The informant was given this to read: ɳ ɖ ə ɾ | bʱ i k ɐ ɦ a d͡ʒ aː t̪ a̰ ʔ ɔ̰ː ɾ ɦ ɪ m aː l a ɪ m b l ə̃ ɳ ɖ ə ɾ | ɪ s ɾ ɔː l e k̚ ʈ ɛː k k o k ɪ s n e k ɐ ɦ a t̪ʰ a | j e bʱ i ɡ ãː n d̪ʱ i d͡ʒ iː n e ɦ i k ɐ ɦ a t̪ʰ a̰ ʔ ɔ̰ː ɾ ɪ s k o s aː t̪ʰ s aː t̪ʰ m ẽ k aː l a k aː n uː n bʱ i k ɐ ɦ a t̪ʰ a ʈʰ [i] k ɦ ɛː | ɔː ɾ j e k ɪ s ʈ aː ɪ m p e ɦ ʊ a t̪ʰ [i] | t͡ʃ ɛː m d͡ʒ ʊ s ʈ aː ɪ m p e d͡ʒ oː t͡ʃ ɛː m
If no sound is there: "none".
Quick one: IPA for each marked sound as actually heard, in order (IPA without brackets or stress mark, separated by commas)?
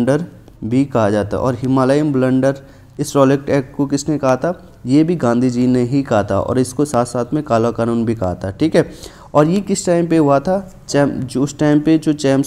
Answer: iː, a